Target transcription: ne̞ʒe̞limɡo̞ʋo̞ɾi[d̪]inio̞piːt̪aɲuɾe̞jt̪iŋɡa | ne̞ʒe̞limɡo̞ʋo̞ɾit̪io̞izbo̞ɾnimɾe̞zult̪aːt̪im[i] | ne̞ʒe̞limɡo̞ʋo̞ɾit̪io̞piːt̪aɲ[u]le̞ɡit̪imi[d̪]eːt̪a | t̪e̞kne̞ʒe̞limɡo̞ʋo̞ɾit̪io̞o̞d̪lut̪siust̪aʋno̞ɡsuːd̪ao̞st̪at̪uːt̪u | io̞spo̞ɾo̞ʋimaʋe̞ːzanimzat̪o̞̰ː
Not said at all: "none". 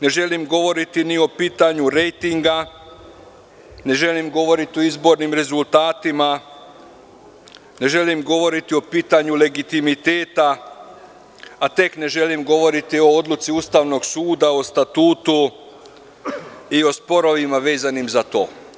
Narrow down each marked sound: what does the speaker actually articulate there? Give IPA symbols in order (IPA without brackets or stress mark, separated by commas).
t̪, a, u, t̪